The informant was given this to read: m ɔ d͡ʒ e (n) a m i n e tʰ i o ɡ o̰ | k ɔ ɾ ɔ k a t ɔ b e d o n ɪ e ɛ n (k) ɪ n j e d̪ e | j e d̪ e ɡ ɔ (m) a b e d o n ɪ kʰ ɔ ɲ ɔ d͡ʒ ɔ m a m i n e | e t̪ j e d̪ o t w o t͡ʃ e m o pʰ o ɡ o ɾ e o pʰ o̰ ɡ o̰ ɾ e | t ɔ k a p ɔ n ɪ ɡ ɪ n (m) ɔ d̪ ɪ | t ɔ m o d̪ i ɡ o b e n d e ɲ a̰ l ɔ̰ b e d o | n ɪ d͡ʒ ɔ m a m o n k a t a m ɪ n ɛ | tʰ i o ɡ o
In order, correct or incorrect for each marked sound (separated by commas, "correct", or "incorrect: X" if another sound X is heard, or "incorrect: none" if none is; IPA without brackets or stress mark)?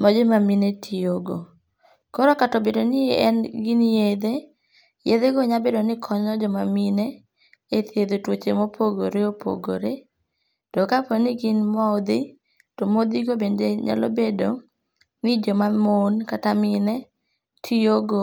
incorrect: m, incorrect: ɡ, incorrect: ɲ, correct